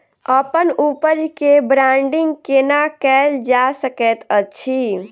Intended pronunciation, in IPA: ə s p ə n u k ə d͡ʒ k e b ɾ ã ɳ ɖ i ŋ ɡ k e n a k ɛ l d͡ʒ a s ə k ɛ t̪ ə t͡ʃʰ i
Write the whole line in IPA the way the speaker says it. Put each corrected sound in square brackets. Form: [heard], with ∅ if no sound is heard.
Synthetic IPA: ə [∅] p ə n u [p] ə d͡ʒ k e b ɾ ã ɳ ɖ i ŋ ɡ k e n a k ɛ l d͡ʒ a s ə k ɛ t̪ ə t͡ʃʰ i